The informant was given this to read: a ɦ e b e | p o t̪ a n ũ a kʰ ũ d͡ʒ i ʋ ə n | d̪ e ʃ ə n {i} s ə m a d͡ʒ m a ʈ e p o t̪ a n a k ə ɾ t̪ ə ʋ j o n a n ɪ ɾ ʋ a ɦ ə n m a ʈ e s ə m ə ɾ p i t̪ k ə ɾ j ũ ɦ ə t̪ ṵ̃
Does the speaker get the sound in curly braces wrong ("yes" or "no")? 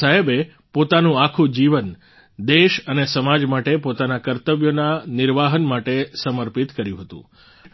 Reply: yes